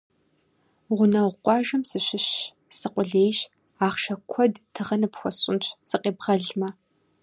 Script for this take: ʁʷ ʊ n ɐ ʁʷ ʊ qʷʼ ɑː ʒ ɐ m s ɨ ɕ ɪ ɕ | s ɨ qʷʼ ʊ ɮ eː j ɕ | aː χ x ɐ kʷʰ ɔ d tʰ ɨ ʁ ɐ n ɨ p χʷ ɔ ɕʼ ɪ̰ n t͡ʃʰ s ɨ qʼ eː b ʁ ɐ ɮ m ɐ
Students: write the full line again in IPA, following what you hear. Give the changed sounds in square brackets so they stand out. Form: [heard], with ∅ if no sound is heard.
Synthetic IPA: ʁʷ ʊ n ɐ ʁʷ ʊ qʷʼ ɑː ʒ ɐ m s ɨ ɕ ɪ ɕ | s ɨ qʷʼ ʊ ɮ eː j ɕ | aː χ [ʃ] ɐ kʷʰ ɔ d tʰ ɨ ʁ ɐ n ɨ p [xʷ] ɔ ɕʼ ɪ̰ n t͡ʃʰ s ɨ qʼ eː b ʁ ɐ ɮ m ɐ